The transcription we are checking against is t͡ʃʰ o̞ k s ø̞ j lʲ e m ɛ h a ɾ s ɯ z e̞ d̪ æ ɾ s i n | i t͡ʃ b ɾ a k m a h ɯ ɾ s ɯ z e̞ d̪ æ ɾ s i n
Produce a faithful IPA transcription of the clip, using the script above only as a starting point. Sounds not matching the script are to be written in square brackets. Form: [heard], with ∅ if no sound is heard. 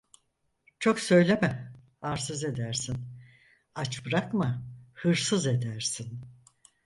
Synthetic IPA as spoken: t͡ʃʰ o̞ k s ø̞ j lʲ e m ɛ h a ɾ s ɯ z e̞ d̪ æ ɾ s i n | [a] t͡ʃ b ɾ a k m a h ɯ ɾ s ɯ z e̞ d̪ æ ɾ s i n